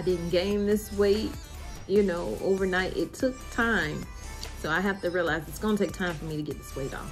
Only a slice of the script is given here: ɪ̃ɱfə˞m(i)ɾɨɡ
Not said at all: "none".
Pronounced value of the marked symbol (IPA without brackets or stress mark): i